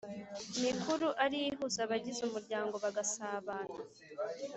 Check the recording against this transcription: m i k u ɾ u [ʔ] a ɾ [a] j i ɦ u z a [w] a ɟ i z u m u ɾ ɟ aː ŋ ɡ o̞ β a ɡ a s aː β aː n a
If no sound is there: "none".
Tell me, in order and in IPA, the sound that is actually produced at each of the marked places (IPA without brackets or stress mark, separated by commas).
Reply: ʔ, i, β